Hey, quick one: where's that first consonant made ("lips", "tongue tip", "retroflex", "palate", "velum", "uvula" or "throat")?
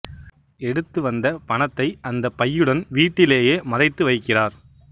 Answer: retroflex